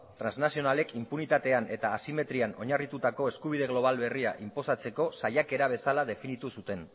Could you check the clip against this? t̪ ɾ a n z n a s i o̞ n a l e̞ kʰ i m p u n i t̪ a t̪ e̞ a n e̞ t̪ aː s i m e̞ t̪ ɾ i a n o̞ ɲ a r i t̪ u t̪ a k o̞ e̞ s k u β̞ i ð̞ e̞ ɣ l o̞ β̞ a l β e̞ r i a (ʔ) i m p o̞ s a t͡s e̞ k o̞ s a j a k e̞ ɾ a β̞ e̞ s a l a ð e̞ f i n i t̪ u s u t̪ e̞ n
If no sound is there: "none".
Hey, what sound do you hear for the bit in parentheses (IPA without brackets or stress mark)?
ʔ